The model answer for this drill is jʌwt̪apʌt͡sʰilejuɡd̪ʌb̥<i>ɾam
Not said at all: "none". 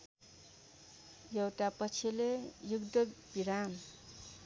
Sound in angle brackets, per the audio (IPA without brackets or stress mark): i